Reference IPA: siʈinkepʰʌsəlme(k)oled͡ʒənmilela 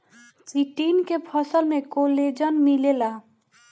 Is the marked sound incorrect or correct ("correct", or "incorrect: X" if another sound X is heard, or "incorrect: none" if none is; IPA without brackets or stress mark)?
correct